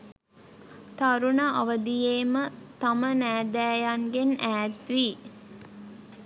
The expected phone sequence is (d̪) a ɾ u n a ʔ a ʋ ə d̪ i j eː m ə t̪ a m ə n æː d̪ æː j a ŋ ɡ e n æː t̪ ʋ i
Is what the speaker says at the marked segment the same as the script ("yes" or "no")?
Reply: no